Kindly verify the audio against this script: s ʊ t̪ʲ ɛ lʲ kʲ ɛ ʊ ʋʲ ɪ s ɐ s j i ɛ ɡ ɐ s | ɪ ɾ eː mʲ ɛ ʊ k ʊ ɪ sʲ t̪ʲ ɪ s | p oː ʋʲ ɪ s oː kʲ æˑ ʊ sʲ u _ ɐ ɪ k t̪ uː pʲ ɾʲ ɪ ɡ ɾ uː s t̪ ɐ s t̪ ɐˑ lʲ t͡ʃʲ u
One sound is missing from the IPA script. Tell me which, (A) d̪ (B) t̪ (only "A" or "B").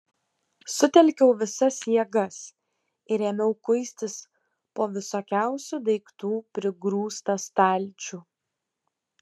A